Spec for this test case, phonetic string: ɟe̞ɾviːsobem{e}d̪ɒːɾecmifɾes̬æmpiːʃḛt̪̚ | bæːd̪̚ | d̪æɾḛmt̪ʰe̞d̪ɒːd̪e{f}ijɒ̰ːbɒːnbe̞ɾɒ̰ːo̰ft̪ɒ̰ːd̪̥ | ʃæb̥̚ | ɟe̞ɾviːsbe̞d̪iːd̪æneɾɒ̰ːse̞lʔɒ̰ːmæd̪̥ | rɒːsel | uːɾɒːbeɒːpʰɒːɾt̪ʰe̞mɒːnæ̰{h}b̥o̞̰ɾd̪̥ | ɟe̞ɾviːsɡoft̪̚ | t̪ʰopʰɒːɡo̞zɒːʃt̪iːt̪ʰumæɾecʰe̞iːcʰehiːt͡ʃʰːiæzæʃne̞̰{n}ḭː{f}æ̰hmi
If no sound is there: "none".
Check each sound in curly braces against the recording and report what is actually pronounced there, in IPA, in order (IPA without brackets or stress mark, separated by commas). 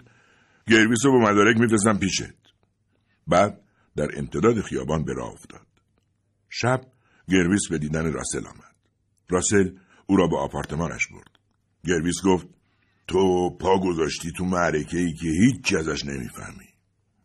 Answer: æ, x, ʃ, m, f